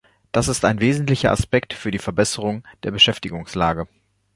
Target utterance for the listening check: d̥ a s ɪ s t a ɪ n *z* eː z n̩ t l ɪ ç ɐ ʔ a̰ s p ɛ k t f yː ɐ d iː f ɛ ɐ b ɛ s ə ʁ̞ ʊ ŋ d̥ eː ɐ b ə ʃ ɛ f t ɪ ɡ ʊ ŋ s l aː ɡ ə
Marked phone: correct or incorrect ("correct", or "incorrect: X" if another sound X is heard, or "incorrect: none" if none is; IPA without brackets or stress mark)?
incorrect: v